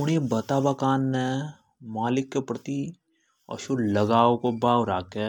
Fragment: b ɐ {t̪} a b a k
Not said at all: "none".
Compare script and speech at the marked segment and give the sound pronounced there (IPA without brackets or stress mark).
t̪